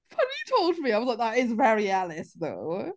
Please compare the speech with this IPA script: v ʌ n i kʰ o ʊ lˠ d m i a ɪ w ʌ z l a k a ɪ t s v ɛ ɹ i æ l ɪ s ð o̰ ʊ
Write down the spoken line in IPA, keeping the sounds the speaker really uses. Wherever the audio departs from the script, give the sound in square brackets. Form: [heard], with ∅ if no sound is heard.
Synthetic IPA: [f] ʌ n i [tʰ] o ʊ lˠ d m i a ɪ w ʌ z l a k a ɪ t s v ɛ ɹ i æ l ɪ s ð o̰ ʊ